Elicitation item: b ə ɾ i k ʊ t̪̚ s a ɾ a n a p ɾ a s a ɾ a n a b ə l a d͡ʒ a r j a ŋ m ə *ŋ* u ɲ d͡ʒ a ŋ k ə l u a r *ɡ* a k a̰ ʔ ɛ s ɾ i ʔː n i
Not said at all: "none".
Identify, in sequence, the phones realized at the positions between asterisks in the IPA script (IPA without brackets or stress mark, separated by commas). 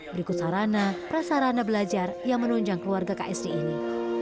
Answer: n, ɡ